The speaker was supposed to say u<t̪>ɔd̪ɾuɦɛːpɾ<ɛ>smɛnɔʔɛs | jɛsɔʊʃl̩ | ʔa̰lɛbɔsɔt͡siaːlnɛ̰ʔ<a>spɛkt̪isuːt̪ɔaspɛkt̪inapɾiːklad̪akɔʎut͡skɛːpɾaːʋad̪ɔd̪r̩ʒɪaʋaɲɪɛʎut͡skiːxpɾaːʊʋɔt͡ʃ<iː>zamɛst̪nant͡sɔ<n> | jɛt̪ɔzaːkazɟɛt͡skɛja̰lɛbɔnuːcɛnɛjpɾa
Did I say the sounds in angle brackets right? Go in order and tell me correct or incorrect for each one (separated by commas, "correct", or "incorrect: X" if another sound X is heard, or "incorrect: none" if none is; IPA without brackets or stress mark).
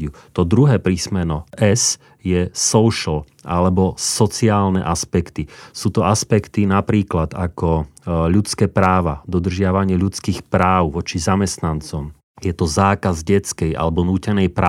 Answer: correct, incorrect: i, correct, incorrect: i, incorrect: m